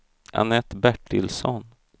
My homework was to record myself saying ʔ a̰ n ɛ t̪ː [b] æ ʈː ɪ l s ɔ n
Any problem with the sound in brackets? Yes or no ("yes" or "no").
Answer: no